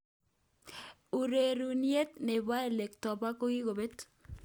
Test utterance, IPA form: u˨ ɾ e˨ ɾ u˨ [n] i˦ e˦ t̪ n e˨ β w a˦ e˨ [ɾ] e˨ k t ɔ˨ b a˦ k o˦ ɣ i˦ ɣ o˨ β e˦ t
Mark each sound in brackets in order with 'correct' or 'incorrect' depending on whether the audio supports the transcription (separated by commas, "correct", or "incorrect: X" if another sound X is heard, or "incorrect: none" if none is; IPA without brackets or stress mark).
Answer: correct, incorrect: l